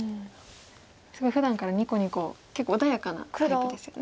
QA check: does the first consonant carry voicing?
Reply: no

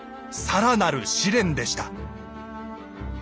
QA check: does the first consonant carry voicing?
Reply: no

